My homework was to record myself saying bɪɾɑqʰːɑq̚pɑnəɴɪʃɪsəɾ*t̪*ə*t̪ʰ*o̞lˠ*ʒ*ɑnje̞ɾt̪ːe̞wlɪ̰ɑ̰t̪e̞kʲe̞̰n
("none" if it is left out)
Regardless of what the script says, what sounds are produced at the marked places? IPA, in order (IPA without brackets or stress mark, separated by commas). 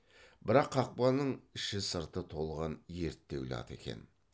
t̪, t̪ʰ, ʁ